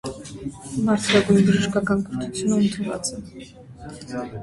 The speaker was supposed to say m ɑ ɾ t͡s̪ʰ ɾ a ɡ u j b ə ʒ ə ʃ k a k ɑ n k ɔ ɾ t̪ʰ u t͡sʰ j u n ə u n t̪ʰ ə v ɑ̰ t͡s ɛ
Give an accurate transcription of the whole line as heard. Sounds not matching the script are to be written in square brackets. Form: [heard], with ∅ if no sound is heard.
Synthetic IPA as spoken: m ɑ ɾ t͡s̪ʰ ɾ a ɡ u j b ə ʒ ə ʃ k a k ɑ n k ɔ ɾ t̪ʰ u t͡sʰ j u n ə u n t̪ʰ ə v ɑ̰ t͡s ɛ